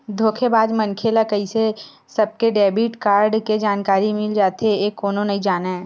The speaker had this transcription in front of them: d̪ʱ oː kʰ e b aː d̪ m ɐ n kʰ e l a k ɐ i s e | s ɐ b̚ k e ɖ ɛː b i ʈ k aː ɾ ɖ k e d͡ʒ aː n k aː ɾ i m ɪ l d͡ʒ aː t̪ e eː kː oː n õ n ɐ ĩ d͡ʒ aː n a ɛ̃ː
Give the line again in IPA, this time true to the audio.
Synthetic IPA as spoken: d̪ʱ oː kʰ e b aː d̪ m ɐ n kʰ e l a k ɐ i s e | s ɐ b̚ k e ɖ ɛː b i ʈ k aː ɾ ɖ k e d͡ʒ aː n k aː ɾ i m ɪ l d͡ʒ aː t̪ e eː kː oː n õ n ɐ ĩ d͡ʒ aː n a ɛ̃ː